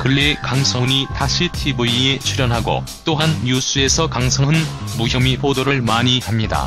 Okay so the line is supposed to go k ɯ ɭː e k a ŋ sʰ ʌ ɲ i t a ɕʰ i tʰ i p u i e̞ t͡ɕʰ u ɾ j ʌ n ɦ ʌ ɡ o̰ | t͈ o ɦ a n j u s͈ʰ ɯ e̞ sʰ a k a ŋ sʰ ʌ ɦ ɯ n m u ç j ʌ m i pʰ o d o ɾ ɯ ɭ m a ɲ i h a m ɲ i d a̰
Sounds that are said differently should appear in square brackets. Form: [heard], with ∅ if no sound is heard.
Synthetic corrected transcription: k ɯ ɭː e k a ŋ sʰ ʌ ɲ i t a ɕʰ i tʰ i [b] u i e̞ t͡ɕʰ u ɾ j ʌ n ɦ [a] ɡ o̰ | t͈ o ɦ a n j u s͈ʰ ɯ e̞ sʰ [ʌ] k a ŋ sʰ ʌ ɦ ɯ n m u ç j ʌ m i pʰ o d o ɾ ɯ ɭ m a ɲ i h a m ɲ i d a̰